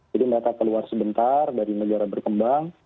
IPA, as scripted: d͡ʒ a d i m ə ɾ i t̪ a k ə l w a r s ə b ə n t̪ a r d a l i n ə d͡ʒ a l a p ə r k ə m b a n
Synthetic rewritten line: d͡ʒ a d i m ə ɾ a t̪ a k ə l u a r s ə b ə n t̪ a r d a ɾ i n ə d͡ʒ a ɾ a b ə r k ə m b a ŋ

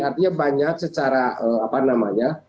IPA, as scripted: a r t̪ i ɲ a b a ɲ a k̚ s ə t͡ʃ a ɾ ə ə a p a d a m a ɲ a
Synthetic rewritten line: a r t̪ i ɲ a b a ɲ a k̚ s ə t͡ʃ a ɾ a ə a p a n a m a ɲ a

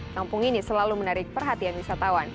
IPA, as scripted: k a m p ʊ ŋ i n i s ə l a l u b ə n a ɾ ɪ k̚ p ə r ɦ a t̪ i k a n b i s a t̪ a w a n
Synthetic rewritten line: k a m p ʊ ŋ i n i s ə l a l u m ə n a ɾ ɪ k̚ p ə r ɦ a t̪ i a n w i s a t̪ a w a n

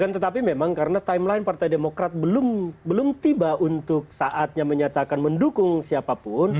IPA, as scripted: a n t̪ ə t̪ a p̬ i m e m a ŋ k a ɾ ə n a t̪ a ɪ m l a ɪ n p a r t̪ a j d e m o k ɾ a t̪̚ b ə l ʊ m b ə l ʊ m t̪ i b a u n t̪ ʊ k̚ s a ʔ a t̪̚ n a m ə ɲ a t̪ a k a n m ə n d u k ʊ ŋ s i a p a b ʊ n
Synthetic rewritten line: a n t̪ ə t̪ a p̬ i m e m a ŋ k a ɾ ə n a t̪ a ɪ m l a ɪ n p a r t̪ a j d e m o k ɾ a t̪̚ b ə l ʊ m b ə l ʊ m t̪ i b a u n t̪ ʊ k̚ s a ʔ a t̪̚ ɲ a m ə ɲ a t̪ a k a n m ə n d u k ʊ ŋ s i a p a p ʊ n

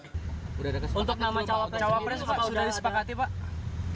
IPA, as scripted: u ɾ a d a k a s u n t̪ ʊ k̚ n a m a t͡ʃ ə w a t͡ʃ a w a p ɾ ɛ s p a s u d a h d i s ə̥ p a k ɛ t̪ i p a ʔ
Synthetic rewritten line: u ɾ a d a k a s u n t̪ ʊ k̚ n a m a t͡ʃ a w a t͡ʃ a w a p ɾ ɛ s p a s u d a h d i s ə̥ p a k a t̪ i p a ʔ

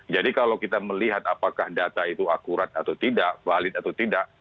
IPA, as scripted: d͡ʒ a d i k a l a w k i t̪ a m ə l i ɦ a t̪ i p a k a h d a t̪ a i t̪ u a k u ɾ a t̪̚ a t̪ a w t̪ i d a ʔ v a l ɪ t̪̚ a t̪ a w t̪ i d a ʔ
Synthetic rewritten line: d͡ʒ a d i k a l a w k i t̪ a m ə l i ɦ a t̪ a p a k a h d a t̪ a i t̪ u a k u ɾ a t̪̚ a t̪ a w t̪ i d a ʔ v a l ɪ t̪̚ a t̪ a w t̪ i d a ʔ

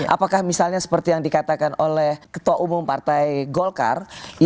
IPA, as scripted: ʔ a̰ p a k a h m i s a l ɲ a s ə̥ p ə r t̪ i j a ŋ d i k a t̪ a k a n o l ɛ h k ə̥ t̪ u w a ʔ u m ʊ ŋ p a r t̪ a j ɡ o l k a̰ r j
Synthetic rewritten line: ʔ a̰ p a k a h m i s a l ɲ a s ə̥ p ə r t̪ i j a ŋ d i k a t̪ a k a n o l ɛ h k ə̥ t̪ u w a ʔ u m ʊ m p a r t̪ a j ɡ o l k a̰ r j

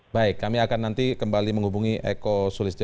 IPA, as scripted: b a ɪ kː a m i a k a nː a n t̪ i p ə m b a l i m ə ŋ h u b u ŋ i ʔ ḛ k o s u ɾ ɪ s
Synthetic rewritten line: b a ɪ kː a m i a k a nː a n t̪ i k ə m b a l i m ə ŋ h u b u ŋ i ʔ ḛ k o s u l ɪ s

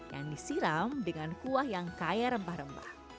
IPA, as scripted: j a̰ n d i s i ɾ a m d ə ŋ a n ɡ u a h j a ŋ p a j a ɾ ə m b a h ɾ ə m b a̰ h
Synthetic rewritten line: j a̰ ŋ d i s i ɾ a m d ə ŋ a n k u a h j a ŋ k a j a ɾ ə m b a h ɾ ə m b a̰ h

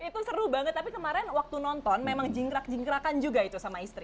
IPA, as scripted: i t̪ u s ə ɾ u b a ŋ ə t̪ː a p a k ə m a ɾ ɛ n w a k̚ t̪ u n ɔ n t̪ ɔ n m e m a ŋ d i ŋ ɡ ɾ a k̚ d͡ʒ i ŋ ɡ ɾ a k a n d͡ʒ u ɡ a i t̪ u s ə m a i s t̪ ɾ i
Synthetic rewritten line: i t̪ u s ə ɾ u b a ŋ ə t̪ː a p i k ə m a ɾ ɛ n w a k̚ t̪ u n ɔ n t̪ ɔ n m e m a ŋ d͡ʒ i ŋ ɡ ɾ a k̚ d͡ʒ i ŋ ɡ ɾ a k a n d͡ʒ u ɡ a i t̪ u s a m a i s t̪ ɾ i

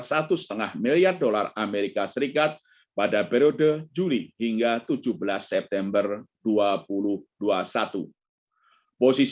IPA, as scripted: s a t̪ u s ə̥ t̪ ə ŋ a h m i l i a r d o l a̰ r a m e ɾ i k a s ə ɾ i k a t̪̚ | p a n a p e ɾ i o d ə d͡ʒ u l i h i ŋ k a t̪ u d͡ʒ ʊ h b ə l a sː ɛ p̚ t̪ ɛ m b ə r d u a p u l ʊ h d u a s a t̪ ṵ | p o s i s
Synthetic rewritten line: s a t̪ u s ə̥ t̪ ə ŋ a h m i l i a r d o l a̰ r a m e ɾ i k a s ə ɾ i k a t̪̚ | p a d a p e ɾ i o d ə d͡ʒ u l i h i ŋ ɡ a t̪ u d͡ʒ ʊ h b ə l a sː ɛ p̚ t̪ ɛ m b ə r d u a p u l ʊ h d u a s a t̪ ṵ | p o s i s

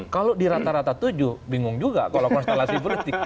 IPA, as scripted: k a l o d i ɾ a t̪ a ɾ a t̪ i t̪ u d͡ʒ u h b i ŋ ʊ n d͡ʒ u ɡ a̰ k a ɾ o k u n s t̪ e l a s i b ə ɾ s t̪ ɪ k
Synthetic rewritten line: k a l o d i ɾ a t̪ a ɾ a t̪ a t̪ u d͡ʒ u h b i ŋ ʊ ŋ d͡ʒ u ɡ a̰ k a l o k ɔ n s t̪ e l a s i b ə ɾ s t̪ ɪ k

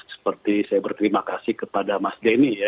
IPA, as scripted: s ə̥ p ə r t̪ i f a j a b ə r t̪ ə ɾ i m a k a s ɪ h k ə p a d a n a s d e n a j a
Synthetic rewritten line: s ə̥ p ə r t̪ i s a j a b ə r t̪ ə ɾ i m a k a s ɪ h k ə p a d a m a s d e n i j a

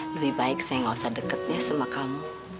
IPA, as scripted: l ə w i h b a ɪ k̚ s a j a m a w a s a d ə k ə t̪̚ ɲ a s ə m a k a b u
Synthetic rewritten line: l ə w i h b a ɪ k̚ s a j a ŋ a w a s a d ə k ə t̪̚ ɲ a s ə m a k a m u

